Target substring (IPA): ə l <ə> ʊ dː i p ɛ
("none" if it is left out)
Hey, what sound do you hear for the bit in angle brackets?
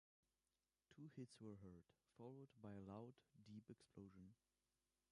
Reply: a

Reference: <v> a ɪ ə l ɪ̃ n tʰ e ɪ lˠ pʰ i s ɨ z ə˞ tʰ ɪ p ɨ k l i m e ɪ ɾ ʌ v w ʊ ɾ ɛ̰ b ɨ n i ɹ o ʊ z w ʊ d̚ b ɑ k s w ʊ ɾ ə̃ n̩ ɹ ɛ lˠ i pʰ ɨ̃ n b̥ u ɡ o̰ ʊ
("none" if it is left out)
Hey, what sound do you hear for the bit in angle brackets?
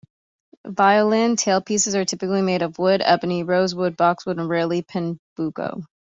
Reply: v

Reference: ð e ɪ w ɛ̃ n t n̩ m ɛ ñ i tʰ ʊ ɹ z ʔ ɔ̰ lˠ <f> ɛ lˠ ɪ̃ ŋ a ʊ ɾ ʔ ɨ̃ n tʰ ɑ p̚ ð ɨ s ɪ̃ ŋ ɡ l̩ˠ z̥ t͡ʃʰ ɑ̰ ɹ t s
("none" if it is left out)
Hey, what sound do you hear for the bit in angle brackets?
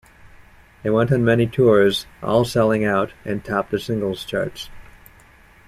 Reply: s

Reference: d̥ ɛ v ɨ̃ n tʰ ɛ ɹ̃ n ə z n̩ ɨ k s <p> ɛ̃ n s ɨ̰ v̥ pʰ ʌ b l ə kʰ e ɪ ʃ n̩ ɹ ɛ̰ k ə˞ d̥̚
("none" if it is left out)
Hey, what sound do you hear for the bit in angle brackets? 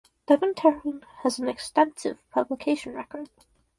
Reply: t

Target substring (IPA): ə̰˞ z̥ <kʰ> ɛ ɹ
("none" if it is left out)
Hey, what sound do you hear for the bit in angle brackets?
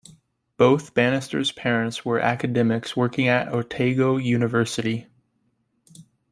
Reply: pʰ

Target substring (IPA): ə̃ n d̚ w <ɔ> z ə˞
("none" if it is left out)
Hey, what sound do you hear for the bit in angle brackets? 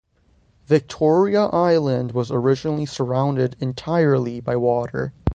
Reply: ʌ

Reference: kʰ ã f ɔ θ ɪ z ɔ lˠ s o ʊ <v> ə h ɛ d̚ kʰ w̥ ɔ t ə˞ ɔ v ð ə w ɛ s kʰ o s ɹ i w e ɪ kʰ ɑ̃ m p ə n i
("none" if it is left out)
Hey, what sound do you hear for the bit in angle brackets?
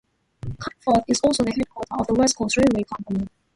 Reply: ð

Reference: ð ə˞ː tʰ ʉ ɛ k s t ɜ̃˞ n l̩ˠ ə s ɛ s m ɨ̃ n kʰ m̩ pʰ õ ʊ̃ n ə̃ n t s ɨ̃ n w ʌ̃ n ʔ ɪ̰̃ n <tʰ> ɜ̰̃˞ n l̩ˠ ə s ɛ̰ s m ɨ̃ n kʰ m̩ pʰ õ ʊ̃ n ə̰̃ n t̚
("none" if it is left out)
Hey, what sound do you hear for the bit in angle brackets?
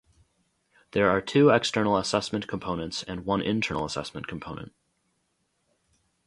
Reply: tʰ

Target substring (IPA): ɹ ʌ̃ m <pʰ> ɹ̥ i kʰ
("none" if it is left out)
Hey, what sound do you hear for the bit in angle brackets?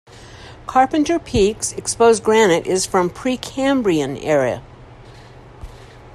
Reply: pʰ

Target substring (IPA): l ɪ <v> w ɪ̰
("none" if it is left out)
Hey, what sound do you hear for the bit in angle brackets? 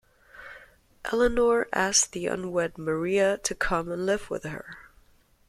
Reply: v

